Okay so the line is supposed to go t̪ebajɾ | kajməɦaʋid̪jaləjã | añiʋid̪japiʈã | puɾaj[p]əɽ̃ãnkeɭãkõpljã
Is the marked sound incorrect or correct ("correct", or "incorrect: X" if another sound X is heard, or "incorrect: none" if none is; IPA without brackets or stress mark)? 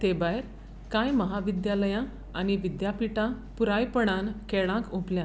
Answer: correct